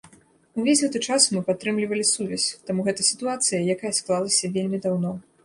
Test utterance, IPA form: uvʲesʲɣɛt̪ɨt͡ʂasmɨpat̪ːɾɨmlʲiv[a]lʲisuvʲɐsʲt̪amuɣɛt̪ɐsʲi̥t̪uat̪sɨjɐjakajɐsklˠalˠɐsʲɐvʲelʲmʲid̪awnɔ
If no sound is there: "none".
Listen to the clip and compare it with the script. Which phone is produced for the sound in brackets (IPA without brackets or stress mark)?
ɐ